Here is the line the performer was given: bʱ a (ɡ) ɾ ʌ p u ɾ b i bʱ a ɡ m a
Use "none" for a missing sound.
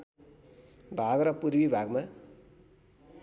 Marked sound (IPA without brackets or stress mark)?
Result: ɡ